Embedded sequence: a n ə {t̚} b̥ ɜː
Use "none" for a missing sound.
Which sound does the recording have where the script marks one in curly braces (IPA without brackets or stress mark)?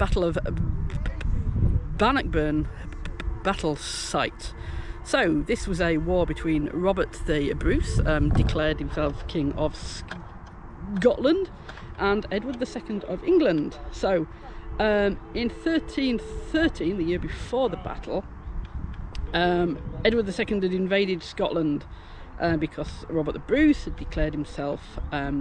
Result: k̚